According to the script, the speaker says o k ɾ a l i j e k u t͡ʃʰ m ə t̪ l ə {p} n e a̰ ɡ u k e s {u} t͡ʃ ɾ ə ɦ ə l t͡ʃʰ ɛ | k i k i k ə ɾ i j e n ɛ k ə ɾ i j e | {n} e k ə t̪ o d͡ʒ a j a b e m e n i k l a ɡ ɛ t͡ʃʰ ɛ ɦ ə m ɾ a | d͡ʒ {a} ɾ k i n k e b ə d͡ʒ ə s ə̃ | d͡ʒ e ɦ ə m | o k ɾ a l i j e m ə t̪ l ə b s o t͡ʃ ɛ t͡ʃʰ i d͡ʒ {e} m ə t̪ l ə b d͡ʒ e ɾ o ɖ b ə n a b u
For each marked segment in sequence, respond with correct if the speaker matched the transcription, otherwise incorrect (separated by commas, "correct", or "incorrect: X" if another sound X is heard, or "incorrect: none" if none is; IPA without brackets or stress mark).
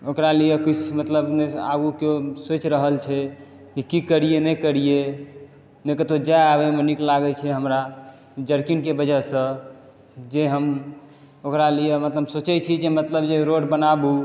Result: incorrect: b, incorrect: o, correct, incorrect: ə, correct